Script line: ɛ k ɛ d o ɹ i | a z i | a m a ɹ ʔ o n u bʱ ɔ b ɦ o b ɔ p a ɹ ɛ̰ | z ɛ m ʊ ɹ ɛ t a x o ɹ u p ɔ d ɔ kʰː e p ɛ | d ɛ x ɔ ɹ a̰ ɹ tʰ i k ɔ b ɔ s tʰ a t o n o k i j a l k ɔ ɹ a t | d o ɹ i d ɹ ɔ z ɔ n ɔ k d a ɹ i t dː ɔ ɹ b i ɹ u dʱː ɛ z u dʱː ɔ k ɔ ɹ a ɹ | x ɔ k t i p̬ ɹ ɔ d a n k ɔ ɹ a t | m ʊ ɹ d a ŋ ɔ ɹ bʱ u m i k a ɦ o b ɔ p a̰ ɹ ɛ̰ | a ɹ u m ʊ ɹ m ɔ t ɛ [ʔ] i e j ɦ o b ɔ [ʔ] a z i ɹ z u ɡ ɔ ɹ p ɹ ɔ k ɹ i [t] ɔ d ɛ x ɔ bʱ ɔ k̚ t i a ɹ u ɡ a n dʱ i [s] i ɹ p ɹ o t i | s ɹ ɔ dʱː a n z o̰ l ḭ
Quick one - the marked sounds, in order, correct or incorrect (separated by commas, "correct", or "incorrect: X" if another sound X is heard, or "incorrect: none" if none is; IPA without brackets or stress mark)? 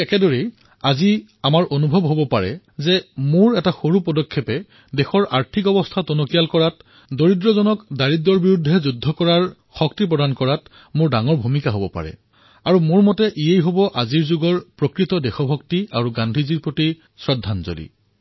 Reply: correct, correct, correct, incorrect: z